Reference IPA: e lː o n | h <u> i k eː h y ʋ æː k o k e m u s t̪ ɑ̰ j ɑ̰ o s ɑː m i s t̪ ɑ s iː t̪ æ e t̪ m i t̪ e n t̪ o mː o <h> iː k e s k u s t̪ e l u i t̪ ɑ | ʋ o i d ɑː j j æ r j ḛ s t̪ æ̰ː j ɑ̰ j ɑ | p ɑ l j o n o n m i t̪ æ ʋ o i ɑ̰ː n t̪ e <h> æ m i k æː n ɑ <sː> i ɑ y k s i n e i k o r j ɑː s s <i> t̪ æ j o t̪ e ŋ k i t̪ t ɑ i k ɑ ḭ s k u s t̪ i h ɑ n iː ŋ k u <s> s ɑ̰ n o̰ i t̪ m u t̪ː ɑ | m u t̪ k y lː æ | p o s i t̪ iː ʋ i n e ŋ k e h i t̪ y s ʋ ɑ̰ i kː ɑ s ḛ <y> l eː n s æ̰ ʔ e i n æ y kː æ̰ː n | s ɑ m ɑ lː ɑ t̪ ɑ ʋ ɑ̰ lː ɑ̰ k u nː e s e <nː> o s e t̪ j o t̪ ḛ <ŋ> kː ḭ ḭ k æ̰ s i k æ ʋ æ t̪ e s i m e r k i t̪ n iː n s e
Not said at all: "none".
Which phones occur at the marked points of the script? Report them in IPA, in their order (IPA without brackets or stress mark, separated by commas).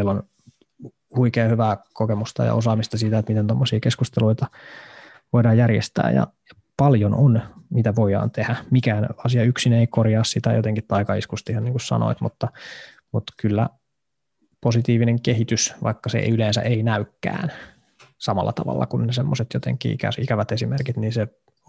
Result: u, s, h, s, i, s, y, mː, ŋ